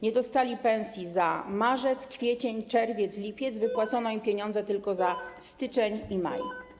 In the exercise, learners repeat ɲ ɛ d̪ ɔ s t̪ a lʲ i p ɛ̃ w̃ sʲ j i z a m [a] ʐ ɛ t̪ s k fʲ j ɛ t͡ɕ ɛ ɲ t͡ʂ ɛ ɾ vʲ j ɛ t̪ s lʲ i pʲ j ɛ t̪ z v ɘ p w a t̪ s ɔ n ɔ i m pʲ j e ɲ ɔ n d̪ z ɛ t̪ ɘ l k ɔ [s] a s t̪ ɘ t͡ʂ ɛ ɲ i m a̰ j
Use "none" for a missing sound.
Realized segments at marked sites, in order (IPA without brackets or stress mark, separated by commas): a, z